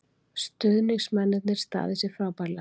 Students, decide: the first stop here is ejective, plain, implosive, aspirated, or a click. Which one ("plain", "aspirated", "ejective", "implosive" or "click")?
plain